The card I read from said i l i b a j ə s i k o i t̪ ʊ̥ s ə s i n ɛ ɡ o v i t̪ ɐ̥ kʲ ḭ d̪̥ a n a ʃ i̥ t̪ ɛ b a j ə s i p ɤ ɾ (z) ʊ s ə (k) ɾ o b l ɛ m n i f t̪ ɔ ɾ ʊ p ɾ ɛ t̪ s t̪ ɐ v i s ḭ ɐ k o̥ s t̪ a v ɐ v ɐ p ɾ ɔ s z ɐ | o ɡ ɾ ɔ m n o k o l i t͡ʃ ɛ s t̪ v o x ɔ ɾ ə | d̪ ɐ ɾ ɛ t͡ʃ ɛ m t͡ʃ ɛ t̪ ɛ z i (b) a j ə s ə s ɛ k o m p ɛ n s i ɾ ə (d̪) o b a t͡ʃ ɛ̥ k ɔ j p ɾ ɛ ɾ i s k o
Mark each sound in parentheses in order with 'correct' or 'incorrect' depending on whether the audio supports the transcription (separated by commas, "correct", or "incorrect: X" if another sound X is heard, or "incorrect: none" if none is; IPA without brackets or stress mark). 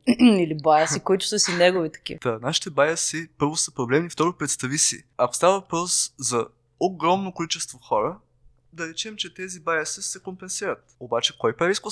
incorrect: v, incorrect: p, correct, incorrect: t̪